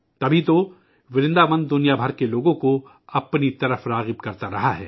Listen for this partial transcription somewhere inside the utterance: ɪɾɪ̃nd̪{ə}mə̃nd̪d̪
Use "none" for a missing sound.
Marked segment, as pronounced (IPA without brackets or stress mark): a